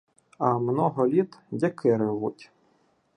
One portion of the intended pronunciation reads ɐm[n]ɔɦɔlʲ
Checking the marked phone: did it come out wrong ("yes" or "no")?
no